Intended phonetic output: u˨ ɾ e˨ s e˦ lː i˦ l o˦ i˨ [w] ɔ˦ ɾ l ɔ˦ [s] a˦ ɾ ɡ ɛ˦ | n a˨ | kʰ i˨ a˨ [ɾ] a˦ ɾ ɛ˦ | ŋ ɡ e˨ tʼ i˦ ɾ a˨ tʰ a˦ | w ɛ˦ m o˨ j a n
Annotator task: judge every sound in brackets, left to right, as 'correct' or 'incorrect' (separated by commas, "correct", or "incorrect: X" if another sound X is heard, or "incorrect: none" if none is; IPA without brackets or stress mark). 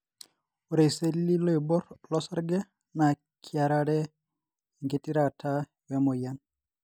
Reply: incorrect: b, correct, correct